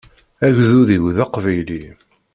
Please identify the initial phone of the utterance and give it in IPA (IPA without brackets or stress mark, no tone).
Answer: æ